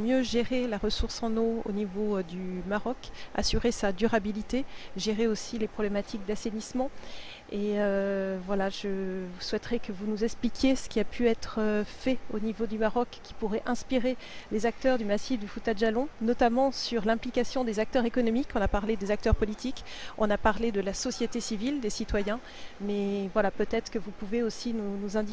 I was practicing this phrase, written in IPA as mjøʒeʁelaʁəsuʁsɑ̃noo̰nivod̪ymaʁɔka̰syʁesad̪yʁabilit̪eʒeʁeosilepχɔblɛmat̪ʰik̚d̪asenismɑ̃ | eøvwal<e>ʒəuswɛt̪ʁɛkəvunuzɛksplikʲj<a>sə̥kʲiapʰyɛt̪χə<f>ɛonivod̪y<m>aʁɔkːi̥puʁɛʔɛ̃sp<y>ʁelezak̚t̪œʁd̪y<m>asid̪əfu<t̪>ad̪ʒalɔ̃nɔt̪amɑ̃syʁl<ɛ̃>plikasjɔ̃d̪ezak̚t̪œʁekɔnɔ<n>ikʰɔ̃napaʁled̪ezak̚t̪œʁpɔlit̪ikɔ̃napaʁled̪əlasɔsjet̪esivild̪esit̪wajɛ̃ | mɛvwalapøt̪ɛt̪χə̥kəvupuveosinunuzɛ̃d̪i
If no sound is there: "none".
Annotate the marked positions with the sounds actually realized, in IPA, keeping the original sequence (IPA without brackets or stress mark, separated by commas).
a, e, f, m, i, m, t̪, ɛ̃, m